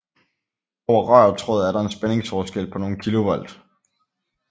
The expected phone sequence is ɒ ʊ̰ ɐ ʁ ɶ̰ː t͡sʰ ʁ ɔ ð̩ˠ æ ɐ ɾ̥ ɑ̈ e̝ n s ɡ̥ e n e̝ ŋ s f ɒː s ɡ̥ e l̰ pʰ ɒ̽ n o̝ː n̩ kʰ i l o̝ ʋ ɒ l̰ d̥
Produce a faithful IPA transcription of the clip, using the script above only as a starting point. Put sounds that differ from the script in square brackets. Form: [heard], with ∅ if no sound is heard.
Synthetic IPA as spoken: ɒ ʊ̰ ɐ ʁ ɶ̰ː t͡sʰ ʁ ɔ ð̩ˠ æ ɐ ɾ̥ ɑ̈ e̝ n s [b̥] e n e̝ ŋ s f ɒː s ɡ̥ e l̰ pʰ ɒ̽ n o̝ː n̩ kʰ i l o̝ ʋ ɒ l̰ d̥